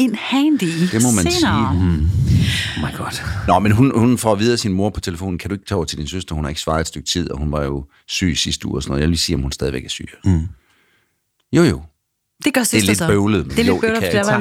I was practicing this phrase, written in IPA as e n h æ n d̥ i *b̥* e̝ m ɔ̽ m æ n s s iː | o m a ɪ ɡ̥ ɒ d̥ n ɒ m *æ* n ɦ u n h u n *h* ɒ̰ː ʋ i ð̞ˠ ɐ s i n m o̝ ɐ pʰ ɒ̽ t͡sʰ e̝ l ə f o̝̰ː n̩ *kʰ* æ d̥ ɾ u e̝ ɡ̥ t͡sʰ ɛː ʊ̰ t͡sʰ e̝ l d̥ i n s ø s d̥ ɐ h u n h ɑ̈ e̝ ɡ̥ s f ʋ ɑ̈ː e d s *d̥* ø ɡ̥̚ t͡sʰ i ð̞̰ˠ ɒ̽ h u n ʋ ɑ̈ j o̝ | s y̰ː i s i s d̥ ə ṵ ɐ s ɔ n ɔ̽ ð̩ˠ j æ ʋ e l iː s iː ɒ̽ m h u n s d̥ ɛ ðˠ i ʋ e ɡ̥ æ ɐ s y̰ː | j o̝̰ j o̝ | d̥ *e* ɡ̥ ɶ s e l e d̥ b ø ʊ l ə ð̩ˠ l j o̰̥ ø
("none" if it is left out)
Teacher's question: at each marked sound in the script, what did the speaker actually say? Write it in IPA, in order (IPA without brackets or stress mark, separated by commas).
d̥, e, f, kʰ, d̥, e